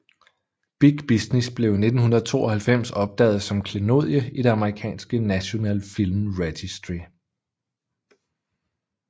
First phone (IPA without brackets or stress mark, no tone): b̥